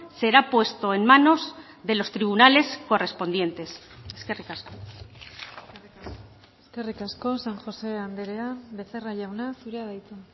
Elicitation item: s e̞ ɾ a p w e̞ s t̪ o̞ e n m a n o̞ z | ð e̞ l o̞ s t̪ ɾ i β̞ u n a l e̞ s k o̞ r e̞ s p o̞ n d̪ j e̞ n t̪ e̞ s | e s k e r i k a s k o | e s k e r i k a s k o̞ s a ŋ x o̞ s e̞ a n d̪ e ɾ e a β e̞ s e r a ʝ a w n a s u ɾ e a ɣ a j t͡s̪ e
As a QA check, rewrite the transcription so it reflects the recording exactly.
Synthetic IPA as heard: s e̞ ɾ a p w e̞ s t̪ o̞ e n m a n o̞ z | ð e̞ l o̞ s t̪ ɾ i β̞ u n a l e̞ s k o̞ r e̞ s p o̞ n d̪ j e̞ n t̪ e̞ s | e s k e r i k a s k o | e s k e r i k a s k o̞ s a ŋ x o̞ s e̞ a n d̪ e ɾ e a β e̞ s e r a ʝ a w n a s u ɾ e a ð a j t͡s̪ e